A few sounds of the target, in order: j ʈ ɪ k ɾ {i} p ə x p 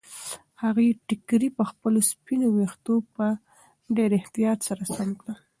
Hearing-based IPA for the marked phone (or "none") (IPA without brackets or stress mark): i